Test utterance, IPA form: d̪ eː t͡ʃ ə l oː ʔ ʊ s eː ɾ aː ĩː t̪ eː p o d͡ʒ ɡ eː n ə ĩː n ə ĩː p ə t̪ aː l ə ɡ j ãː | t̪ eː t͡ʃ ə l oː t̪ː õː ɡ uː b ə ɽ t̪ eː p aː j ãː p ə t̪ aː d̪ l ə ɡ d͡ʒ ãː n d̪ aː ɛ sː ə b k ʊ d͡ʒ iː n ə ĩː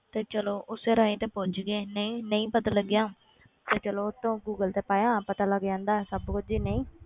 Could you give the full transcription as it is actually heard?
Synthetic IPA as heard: t̪ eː t͡ʃ ə l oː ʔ ʊ s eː ɾ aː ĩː t̪ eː p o d͡ʒ ɡ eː n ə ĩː n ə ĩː p ə t̪ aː l ə ɡ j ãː | t̪ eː t͡ʃ ə l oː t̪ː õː ɡ uː ɡ ə l t̪ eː p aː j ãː p ə t̪ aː l ə ɡ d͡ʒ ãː n d̪ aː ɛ s ə b k ʊ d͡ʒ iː n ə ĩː